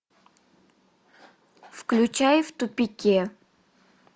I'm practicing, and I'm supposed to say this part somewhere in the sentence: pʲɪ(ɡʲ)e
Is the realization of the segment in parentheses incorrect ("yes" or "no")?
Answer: yes